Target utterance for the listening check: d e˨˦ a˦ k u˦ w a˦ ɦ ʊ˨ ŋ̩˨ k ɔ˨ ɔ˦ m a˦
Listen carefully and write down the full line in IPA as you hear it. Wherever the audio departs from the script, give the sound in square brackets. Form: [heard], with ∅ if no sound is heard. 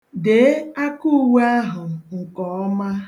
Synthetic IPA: d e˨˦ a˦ k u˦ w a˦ ɦ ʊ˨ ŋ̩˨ k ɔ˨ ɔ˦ m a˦